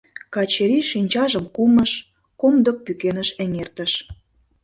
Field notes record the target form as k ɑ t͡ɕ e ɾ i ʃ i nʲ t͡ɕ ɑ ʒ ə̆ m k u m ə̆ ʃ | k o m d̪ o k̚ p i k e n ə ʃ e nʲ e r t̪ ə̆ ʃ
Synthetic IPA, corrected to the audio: k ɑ t͡ɕ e ɾ i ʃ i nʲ t͡ɕ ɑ ʒ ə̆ m k u m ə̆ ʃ | k o m d̪ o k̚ p y k e n ə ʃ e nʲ e r t̪ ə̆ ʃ